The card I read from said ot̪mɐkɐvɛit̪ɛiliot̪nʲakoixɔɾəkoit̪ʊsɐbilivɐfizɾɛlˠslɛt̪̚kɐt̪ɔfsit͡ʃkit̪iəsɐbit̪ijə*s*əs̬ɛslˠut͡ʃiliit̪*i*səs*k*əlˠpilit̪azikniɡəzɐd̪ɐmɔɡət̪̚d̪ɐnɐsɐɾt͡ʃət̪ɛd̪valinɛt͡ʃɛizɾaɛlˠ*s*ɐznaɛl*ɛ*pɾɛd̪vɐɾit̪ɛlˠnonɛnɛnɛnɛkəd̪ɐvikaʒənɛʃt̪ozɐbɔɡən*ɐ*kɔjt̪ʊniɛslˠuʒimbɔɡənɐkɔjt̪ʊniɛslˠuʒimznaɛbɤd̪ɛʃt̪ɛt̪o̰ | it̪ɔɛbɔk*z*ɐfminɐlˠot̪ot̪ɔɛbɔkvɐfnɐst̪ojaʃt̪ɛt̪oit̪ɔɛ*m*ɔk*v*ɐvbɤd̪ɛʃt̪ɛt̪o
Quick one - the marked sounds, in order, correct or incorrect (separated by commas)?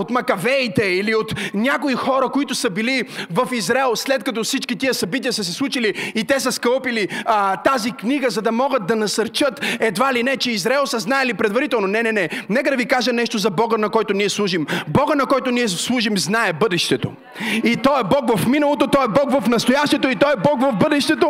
correct, incorrect, correct, correct, incorrect, correct, incorrect, incorrect, correct